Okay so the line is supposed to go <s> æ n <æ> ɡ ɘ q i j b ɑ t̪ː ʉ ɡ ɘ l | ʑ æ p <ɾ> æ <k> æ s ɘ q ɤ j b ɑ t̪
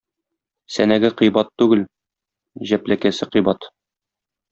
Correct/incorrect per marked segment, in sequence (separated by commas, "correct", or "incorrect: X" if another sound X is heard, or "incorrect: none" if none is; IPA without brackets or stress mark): correct, correct, incorrect: l, correct